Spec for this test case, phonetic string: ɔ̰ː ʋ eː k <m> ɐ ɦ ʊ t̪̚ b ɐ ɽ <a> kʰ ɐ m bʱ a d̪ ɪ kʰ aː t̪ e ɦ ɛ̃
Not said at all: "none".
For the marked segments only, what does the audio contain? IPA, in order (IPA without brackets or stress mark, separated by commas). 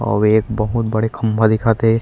b, e